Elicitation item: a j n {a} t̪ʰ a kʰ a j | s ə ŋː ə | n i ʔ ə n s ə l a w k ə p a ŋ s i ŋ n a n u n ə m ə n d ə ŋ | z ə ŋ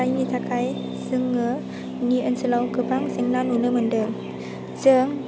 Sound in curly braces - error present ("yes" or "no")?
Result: yes